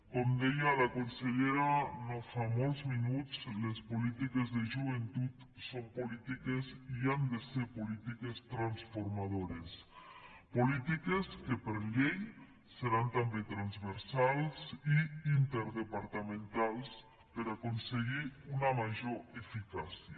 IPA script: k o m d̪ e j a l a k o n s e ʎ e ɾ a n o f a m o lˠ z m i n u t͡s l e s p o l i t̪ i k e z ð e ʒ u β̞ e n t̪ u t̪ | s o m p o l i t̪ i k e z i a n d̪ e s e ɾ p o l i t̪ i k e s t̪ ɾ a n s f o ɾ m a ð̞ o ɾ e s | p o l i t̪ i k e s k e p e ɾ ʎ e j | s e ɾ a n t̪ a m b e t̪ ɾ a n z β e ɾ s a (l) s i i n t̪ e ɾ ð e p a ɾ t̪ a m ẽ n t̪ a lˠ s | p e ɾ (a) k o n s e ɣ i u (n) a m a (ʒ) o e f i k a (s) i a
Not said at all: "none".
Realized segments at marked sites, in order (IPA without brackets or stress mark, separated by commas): l, a, n, ʒ, s